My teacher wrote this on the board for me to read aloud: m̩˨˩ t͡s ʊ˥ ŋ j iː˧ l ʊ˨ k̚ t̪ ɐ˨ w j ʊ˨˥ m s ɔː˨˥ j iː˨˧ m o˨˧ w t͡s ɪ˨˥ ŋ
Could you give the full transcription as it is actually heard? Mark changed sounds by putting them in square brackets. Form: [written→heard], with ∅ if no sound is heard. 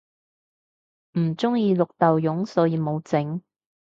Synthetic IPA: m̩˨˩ t͡s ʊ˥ ŋ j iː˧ l ʊ˨ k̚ t̪ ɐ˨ w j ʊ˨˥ [m→ŋ] s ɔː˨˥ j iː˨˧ m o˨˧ w t͡s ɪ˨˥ ŋ